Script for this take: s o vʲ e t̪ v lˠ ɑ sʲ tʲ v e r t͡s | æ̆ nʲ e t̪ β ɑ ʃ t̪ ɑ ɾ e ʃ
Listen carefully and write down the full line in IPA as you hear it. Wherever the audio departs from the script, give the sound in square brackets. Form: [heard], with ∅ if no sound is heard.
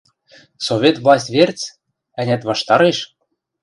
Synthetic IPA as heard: s o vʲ e t̪ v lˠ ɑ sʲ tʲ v e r t͡s | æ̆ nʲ [æ] t̪ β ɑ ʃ t̪ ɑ ɾ e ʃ